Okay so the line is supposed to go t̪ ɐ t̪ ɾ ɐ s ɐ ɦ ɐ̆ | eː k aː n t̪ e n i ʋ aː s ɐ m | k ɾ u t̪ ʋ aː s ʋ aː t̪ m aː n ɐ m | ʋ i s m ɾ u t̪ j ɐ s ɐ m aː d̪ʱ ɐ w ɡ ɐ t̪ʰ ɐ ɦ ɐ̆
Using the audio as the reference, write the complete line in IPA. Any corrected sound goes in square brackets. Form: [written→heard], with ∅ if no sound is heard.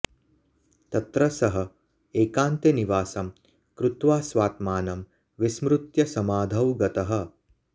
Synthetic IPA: t̪ ɐ t̪ ɾ ɐ s ɐ ɦ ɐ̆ | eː k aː n t̪ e n i ʋ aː s ɐ m | k ɾ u t̪ ʋ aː s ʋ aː t̪ m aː n ɐ m | ʋ i s m ɾ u t̪ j ɐ s ɐ m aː d̪ʱ ɐ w ɡ ɐ [t̪ʰ→t̪] ɐ ɦ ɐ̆